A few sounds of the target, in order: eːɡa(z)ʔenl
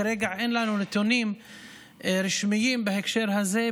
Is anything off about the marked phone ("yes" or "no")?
yes